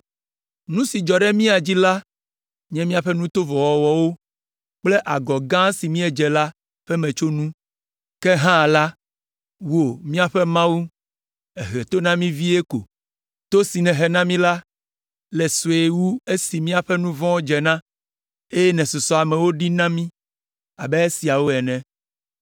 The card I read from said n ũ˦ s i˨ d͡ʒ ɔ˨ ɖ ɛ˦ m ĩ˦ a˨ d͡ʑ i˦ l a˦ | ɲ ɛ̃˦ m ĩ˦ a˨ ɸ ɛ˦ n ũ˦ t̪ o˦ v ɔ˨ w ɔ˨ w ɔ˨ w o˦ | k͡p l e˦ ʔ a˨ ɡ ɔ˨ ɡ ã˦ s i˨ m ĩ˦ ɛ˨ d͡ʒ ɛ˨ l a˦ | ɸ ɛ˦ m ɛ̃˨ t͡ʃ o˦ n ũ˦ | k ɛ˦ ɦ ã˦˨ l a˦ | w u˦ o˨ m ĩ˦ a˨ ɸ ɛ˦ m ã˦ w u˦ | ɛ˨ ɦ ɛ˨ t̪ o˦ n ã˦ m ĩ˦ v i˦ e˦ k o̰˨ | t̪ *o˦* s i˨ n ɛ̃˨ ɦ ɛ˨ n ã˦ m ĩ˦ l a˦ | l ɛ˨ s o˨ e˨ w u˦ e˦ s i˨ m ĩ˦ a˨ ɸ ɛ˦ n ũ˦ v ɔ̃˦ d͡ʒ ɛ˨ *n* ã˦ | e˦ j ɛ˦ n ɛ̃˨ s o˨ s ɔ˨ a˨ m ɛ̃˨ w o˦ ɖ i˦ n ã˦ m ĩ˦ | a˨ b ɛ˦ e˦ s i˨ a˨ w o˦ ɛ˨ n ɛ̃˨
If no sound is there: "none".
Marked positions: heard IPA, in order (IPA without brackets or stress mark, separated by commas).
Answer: o˦, n